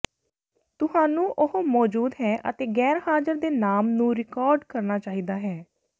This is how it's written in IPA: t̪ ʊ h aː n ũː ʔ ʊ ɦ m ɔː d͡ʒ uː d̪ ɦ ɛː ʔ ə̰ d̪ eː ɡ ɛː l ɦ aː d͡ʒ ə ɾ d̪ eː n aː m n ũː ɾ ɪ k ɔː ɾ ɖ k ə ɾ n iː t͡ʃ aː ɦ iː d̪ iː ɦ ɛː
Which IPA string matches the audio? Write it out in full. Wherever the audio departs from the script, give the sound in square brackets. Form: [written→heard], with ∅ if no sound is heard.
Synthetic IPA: t̪ ʊ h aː n ũː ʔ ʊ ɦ m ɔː d͡ʒ uː d̪ ɦ ɛː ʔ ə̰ [d̪→t̪] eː ɡ ɛː [l→ɾ] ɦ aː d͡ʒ ə ɾ d̪ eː n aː m n ũː ɾ ɪ k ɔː ɾ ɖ k ə ɾ n [iː→aː] t͡ʃ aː ɦ iː d̪ [iː→aː] ɦ ɛː